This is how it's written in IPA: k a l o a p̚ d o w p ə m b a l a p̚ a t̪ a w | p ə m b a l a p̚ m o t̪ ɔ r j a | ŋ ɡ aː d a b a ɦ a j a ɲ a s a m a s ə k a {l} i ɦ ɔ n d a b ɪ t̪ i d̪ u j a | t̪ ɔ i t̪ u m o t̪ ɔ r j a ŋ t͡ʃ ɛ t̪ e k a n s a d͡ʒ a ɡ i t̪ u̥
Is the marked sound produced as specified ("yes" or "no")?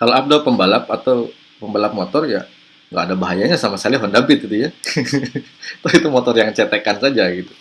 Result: yes